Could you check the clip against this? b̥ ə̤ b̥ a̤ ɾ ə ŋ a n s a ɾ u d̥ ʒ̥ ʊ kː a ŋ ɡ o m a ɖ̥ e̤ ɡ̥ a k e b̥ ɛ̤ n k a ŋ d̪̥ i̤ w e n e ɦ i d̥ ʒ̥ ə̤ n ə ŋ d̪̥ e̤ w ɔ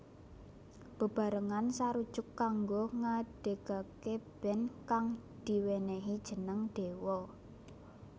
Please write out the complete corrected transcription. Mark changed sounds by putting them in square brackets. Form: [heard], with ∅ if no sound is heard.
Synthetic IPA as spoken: b̥ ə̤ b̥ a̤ ɾ ə ŋ a n s a ɾ u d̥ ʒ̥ ʊ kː a ŋ ɡ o [ŋ] a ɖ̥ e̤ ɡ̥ a k e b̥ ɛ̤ n k a ŋ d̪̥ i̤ w e n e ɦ i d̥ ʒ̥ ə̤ n ə ŋ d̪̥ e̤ w ɔ

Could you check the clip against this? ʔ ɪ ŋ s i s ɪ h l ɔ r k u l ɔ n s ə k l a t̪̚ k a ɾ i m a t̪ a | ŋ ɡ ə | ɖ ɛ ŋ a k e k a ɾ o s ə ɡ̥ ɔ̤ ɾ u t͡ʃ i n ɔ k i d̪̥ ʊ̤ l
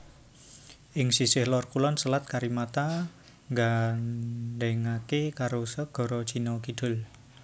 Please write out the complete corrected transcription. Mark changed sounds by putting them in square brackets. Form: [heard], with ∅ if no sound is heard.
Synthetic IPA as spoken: ʔ ɪ ŋ s i s ɪ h l ɔ r k u l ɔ n s ə [∅] l a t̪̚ k a ɾ i m a t̪ a | ŋ ɡ [a] | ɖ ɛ ŋ a k e k a ɾ o s ə ɡ̥ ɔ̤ ɾ [ɔ] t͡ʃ i n ɔ k i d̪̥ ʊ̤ l

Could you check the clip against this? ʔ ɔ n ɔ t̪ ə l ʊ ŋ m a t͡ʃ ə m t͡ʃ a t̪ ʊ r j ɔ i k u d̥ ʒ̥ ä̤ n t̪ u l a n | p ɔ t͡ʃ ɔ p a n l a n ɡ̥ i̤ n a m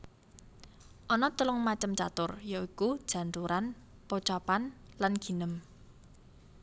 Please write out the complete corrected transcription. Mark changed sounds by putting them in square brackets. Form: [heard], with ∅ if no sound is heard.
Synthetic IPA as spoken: ʔ ɔ n ɔ t̪ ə l ʊ ŋ m a t͡ʃ ə m t͡ʃ a t̪ ʊ r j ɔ i k u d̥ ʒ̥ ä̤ n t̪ u [ɾ] a n | p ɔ t͡ʃ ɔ p a n l a n ɡ̥ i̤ n [ə] m

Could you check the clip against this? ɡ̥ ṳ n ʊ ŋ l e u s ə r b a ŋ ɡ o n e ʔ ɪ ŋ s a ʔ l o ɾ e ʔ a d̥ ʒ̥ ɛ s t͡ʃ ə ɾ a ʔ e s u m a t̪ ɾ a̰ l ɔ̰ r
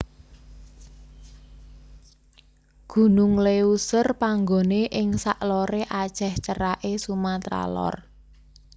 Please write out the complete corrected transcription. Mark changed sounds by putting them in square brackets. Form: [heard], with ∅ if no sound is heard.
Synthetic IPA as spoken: ɡ̥ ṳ n ʊ ŋ l e u s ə r [p] a ŋ ɡ o n e ʔ ɪ ŋ s a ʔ l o ɾ e ʔ a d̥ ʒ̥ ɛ [h] t͡ʃ ə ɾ a ʔ e s u m a t̪ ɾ a̰ l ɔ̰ r

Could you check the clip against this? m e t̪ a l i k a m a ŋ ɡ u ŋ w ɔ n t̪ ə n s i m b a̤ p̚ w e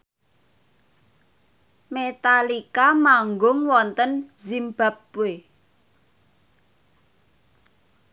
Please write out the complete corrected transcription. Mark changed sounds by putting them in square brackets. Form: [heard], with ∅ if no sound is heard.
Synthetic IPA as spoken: m e t̪ a l i k a m a ŋ ɡ [ʊ] ŋ w ɔ n t̪ ə n [z] i m b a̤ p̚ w e

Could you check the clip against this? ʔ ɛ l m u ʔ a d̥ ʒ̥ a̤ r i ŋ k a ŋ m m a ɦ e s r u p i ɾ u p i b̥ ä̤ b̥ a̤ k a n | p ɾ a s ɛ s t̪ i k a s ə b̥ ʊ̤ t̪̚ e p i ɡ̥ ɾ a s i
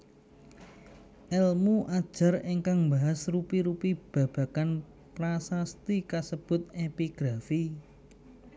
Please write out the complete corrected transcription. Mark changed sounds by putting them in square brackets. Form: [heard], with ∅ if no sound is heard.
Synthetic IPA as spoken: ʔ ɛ l m u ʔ a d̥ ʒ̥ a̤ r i ŋ k a ŋ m [b] a ɦ [a] s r u p i ɾ u p i b̥ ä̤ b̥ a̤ k a n | p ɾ a s [a] s t̪ i k a s ə b̥ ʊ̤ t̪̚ e p i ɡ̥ ɾ a [f] i

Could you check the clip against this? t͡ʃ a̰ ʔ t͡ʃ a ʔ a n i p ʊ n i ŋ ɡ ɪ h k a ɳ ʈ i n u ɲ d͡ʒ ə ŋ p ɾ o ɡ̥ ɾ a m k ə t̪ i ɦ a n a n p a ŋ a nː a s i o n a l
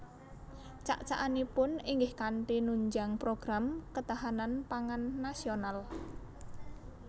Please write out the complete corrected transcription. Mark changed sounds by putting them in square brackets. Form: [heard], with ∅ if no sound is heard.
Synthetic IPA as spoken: t͡ʃ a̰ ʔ t͡ʃ a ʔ a n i p ʊ n i ŋ ɡ ɪ h k a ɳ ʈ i n u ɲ d͡ʒ [a] ŋ p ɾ o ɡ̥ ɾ a m k ə t̪ [a] ɦ a n a n p a ŋ a nː a s i o n a l

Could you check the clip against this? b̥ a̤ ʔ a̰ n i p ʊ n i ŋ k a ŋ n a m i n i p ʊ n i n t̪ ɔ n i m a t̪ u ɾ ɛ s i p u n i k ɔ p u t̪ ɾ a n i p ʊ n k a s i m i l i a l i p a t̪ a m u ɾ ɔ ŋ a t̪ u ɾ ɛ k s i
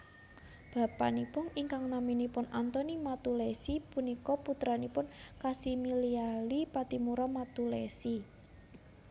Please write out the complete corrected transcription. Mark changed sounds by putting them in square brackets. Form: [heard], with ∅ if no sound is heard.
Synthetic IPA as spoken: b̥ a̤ [p] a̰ n i p ʊ n i ŋ k a ŋ n a m i n i p ʊ n [a] n t̪ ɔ n i m a t̪ u [l] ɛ s i p u n i k ɔ p u t̪ ɾ a n i p ʊ n k a s i m i l i a l i p a t̪ [i] m u ɾ ɔ [m] a t̪ u [l] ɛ [∅] s i

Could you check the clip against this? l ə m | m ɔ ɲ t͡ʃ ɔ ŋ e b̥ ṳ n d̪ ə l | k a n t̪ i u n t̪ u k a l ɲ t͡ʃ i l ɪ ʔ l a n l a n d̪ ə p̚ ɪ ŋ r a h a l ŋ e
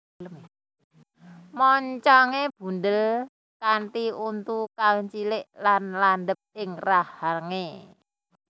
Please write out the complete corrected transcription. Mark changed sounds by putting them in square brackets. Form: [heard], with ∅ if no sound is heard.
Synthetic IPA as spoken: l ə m | m ɔ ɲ t͡ʃ ɔ ŋ e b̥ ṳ n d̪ ə l | k a n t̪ i u n t̪ u k a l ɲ t͡ʃ i l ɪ ʔ l a n l a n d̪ ə p̚ ɪ ŋ r a h a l ŋ e

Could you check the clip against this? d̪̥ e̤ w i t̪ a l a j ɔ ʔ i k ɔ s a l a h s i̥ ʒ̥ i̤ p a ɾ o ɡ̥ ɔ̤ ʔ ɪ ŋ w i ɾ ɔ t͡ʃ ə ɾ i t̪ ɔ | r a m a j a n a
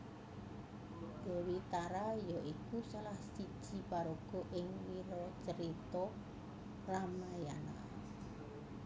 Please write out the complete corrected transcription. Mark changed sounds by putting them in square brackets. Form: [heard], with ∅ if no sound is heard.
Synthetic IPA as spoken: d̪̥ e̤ w i t̪ a [ɾ] a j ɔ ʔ i k [u] s a l a h s i̥ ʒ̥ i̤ p a ɾ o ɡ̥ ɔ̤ ʔ ɪ ŋ w i ɾ ɔ t͡ʃ ə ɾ i t̪ ɔ | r a m a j a n a

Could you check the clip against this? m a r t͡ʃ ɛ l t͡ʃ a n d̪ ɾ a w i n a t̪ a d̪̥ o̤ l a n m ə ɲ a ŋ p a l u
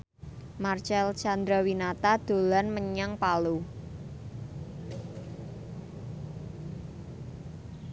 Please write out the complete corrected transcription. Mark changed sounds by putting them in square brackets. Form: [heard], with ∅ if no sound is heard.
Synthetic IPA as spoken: m a r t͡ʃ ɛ l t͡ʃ a n d̪ ɾ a w i n a t̪ a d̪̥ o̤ l a n m ə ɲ a ŋ p a l u

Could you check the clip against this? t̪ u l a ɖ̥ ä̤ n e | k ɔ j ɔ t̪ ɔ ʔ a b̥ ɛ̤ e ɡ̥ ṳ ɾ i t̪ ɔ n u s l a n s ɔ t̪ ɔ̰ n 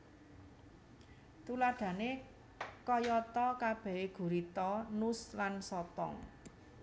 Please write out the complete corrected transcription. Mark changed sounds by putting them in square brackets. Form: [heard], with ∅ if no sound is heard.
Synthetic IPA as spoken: t̪ u l a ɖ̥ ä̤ n e | k ɔ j ɔ t̪ ɔ [k] a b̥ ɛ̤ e ɡ̥ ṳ ɾ i t̪ ɔ n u s l a n s ɔ t̪ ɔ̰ [ŋ]

